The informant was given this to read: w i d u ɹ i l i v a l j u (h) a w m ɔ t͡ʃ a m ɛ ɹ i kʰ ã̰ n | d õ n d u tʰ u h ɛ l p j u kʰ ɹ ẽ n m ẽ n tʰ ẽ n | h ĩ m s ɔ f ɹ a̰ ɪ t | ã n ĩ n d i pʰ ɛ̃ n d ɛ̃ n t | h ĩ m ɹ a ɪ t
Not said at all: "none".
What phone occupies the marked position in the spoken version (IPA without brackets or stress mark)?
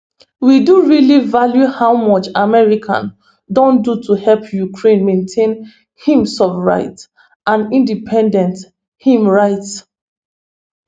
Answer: h